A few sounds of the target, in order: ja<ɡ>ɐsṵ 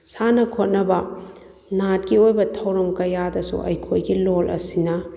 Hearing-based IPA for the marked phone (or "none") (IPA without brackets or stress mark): d